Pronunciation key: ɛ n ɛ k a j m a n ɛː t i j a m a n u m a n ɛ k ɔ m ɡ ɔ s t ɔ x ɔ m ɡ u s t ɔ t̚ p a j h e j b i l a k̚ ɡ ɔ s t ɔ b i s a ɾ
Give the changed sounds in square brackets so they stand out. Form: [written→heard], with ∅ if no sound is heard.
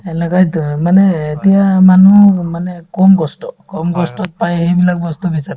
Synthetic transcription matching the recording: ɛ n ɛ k a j m a n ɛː t i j a m a n u m a n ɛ k ɔ m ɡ ɔ s t ɔ [x→k] ɔ m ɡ [u→ɔ] s t ɔ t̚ p a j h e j b i l a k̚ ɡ ɔ s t ɔ b i s a ɾ